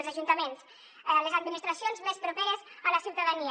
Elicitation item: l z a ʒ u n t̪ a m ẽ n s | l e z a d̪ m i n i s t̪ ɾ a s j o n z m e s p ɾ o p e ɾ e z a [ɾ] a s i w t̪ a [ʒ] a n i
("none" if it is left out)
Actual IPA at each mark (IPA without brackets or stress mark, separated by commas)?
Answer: l, ð